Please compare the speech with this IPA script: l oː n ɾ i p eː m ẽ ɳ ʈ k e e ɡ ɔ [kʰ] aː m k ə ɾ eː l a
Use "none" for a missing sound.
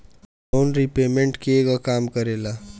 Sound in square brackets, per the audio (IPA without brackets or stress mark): k